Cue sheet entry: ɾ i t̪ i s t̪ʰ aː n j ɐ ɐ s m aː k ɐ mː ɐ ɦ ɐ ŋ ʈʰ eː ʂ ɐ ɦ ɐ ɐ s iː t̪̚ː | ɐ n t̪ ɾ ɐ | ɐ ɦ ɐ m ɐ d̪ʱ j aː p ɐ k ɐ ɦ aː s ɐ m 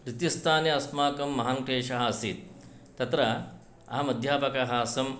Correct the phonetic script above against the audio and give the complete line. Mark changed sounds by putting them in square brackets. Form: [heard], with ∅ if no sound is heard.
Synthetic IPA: ɾ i t̪ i s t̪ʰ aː n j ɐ ɐ s m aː k ɐ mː ɐ ɦ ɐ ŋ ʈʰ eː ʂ ɐ ɦ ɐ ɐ s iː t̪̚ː | ɐ [∅] t̪ ɾ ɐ | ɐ ɦ ɐ m ɐ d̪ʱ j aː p ɐ k ɐ ɦ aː s ɐ m